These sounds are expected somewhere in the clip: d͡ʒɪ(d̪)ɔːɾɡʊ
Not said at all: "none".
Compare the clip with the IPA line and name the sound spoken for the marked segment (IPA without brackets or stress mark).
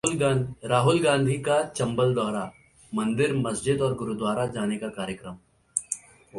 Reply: d̪